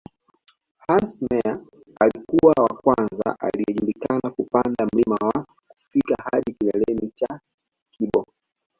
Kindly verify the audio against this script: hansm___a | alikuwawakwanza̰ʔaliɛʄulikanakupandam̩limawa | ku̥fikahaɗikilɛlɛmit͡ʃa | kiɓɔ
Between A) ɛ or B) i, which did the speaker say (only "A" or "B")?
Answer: A